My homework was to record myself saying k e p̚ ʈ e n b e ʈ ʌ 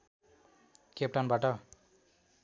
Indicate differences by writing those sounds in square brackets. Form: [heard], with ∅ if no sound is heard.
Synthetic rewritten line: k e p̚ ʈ [a] n b [a] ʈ ʌ